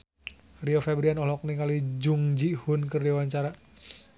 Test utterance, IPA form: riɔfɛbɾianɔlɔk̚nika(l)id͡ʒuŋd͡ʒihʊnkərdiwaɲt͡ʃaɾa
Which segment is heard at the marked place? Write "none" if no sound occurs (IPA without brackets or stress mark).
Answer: l